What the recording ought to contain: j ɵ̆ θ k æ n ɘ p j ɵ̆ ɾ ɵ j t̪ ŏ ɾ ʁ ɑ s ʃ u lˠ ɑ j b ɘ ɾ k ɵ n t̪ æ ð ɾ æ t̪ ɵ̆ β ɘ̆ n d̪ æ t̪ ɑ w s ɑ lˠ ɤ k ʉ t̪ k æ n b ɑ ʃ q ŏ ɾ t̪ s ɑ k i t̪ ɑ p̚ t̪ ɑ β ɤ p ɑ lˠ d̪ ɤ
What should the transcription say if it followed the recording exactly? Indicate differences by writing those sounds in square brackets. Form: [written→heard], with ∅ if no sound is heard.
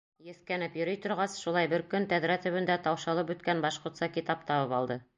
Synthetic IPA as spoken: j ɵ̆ θ k æ n ɘ p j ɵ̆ ɾ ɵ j t̪ ŏ ɾ ʁ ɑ s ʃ u lˠ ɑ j b ɘ ɾ k ɵ n t̪ æ ð ɾ æ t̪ ɵ̆ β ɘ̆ n d̪ æ t̪ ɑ w [s→ʃ] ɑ lˠ ɤ [k→p] ʉ t̪ k æ n b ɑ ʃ q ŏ ɾ t̪ s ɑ k i t̪ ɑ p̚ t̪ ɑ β ɤ p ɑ lˠ d̪ ɤ